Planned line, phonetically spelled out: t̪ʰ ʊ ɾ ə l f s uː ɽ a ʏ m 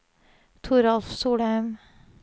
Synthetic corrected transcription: t̪ʰ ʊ ɾ ɑ l f s uː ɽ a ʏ m